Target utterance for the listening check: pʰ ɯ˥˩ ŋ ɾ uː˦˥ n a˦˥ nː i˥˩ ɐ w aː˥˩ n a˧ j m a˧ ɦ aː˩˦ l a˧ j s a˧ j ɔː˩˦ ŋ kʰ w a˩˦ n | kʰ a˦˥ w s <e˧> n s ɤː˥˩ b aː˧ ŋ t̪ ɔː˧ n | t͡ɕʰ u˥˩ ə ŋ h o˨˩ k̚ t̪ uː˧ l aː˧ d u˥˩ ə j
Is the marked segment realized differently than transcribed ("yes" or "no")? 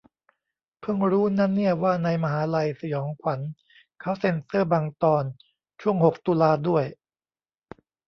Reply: no